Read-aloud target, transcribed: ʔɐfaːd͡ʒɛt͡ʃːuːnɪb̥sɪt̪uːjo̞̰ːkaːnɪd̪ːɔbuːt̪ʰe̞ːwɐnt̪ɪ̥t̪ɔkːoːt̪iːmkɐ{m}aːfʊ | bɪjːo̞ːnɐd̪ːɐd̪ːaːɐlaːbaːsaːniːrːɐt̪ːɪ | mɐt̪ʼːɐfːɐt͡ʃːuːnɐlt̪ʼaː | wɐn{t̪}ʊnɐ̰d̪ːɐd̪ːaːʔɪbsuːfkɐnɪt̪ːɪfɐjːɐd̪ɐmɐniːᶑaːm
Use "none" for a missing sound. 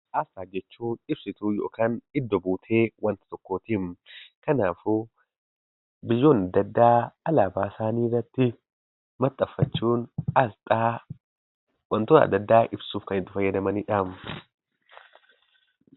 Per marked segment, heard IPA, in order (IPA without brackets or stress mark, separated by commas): n, t̪